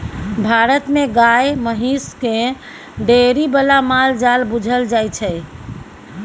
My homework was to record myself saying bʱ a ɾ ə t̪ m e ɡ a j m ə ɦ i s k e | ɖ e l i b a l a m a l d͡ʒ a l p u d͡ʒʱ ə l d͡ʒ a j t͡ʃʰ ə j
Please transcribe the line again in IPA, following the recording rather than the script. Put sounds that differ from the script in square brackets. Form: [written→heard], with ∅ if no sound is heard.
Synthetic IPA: bʱ a ɾ ə t̪ m e ɡ a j m ə ɦ i s k e | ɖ e [l→ɾ] i b [a→ə] l a m a l d͡ʒ a l [p→b] u d͡ʒʱ ə l d͡ʒ a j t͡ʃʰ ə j